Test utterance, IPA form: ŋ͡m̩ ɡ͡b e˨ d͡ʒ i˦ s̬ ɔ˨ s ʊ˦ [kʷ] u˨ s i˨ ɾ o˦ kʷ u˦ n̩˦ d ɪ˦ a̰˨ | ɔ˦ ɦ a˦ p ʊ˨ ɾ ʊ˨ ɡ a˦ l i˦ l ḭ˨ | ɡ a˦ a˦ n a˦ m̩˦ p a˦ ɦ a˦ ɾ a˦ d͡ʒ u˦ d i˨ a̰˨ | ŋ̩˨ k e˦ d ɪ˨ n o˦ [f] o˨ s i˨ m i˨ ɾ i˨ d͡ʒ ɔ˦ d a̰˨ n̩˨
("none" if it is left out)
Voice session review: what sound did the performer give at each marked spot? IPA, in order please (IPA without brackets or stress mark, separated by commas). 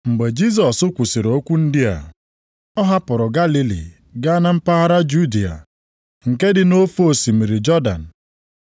kʷ, f